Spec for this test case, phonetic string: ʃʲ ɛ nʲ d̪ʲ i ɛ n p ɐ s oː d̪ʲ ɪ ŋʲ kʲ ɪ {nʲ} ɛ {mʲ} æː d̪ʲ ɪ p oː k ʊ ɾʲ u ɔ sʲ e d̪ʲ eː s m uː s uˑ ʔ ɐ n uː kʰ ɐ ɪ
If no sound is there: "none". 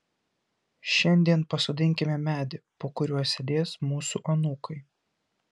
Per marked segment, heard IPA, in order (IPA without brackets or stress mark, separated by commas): mʲ, mʲ